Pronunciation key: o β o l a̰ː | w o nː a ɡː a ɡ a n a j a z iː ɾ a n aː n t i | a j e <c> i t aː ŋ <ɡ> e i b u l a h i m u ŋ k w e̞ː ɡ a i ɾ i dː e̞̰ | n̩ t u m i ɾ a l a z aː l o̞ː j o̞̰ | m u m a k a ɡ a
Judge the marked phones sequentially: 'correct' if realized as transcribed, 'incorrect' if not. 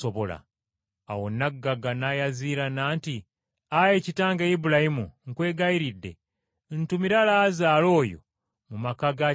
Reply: correct, correct

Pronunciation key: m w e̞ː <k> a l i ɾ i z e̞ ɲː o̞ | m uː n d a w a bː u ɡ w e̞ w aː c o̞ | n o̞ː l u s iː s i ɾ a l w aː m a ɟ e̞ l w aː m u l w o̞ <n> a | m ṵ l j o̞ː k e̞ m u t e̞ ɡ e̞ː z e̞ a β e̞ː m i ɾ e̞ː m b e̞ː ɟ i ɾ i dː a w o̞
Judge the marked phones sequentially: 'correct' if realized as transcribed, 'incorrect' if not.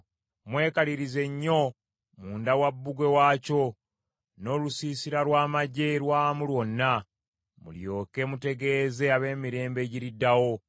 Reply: correct, incorrect

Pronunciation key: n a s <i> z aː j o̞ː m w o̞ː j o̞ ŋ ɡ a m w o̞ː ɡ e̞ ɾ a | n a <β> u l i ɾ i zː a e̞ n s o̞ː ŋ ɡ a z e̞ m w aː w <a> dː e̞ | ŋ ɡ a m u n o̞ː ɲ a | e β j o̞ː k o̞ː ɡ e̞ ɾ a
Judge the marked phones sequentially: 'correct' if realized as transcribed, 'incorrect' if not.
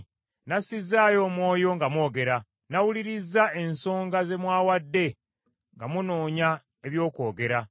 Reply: correct, incorrect, correct

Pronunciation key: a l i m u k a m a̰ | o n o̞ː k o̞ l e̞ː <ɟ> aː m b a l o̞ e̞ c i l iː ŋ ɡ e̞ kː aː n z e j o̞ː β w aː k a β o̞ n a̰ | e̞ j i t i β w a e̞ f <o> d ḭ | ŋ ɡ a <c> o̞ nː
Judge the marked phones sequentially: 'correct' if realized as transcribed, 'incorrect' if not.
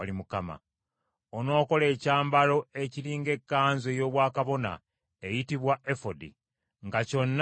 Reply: incorrect, correct, correct

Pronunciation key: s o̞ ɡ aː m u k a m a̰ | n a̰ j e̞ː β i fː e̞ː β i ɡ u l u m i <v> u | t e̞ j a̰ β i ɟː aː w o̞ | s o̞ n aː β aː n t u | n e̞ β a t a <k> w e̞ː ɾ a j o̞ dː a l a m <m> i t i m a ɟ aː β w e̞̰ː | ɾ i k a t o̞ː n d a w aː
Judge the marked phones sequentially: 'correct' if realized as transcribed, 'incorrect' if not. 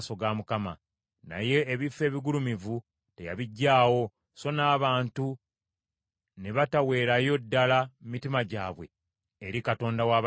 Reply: correct, incorrect, correct

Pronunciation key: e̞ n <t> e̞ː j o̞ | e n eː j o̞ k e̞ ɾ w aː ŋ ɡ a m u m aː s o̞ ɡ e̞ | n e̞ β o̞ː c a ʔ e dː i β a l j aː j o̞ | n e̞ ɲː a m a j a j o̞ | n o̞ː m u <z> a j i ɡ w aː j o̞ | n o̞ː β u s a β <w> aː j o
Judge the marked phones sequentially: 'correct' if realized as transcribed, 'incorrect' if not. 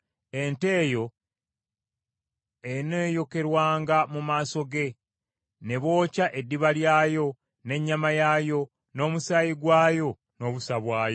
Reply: correct, incorrect, correct

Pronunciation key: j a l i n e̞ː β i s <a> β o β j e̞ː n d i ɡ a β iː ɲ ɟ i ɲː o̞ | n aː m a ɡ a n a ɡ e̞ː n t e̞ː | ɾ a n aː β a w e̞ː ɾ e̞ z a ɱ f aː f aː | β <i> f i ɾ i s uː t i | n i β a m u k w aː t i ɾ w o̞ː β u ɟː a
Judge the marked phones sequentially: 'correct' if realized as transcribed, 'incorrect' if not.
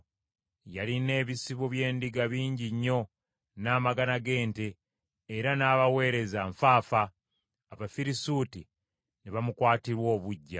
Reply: incorrect, incorrect

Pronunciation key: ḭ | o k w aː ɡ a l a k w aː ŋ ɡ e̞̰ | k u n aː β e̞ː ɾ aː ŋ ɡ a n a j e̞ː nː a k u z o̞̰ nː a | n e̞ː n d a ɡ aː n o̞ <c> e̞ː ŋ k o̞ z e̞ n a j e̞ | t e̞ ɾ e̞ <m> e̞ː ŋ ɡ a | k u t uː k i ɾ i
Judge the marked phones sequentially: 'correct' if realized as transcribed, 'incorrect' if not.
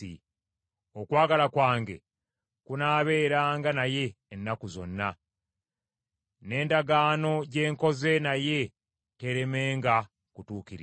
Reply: incorrect, correct

